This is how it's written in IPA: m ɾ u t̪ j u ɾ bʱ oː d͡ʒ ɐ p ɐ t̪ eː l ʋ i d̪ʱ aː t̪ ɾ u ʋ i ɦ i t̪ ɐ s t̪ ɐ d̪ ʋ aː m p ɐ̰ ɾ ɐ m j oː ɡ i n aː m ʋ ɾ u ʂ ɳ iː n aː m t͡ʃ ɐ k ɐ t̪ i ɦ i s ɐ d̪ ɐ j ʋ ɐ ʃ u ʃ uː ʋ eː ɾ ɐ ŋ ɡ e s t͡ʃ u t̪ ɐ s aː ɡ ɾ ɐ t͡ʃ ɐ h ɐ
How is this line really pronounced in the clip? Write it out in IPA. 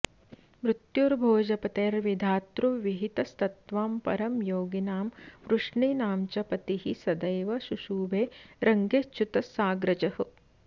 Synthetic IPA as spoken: m ɾ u t̪ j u ɾ bʱ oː d͡ʒ ɐ p ɐ t̪ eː ɾ ʋ i d̪ʱ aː t̪ ɾ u ʋ i ɦ i t̪ ɐ s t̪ ɐ t̪ ʋ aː m p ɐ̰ ɾ ɐ m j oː ɡ i n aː m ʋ ɾ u ʂ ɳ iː n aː m t͡ʃ ɐ p ɐ t̪ i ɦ i s ɐ d̪ ɐ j ʋ ɐ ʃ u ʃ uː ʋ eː ɾ ɐ ŋ ɡ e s t͡ʃ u t̪ ɐ s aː ɡ ɾ ɐ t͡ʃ ɐ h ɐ